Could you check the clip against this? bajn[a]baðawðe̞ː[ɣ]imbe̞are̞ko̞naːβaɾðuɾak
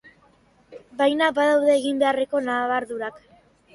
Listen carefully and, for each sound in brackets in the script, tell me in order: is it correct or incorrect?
correct, correct

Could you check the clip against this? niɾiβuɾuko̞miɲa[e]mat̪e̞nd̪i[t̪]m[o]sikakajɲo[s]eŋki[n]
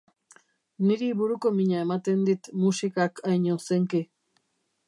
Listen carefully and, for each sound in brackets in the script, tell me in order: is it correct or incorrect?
correct, correct, incorrect: u, correct, incorrect: none

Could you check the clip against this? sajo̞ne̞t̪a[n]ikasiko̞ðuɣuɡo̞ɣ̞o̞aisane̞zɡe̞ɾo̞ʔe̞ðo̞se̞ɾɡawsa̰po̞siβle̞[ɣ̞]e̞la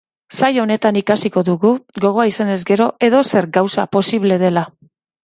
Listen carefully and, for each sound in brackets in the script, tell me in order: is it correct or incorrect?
correct, incorrect: ð̞

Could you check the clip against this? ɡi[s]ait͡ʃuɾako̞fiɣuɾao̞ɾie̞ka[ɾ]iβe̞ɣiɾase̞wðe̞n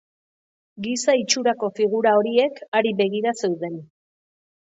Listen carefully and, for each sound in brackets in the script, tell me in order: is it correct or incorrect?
correct, correct

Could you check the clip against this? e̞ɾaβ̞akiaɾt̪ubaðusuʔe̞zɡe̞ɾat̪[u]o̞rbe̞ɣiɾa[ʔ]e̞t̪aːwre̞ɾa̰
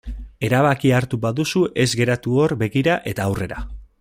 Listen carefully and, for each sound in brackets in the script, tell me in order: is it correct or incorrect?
correct, correct

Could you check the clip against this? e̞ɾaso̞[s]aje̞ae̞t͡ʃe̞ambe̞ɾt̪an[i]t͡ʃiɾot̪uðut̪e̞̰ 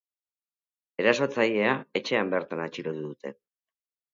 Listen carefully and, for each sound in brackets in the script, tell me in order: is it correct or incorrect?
incorrect: t͡s, incorrect: a

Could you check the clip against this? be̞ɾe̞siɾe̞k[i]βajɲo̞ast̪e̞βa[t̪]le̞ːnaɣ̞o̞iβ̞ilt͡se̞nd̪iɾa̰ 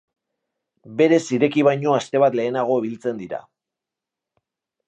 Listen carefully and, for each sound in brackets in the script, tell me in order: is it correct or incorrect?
correct, correct

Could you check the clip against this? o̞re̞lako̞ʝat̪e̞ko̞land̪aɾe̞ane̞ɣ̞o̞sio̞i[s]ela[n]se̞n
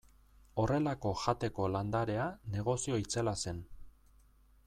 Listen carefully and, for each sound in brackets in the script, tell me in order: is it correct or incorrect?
incorrect: t͡s, incorrect: none

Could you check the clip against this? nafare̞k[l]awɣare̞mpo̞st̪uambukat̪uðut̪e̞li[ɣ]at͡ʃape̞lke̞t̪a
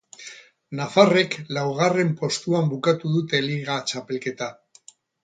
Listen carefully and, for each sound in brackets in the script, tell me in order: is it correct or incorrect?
correct, correct

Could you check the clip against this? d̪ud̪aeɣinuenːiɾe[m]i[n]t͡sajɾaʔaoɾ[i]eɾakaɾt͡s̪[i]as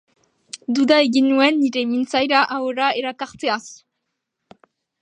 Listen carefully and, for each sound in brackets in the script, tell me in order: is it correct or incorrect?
correct, correct, incorrect: a, incorrect: e

